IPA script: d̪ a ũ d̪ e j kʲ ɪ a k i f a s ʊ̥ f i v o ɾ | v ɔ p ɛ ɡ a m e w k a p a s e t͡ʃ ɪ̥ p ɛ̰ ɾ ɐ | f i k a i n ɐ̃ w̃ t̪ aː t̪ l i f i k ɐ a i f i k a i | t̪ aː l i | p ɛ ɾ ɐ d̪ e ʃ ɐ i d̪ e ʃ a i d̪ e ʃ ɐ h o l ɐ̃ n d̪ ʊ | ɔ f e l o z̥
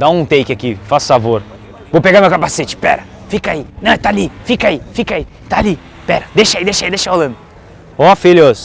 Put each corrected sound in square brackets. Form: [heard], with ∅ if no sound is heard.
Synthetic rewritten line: d̪ a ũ [t̪] e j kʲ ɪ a k i f a s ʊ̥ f [a] v o ɾ | v [o] p [e] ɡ a m e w k a p a s e t͡ʃ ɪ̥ p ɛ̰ ɾ ɐ | f i k a i n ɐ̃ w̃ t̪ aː [∅] l i f i k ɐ a i f i k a i | t̪ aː l i | p ɛ ɾ ɐ d̪ e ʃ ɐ i d̪ e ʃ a i d̪ e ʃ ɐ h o l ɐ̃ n d̪ ʊ | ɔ f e l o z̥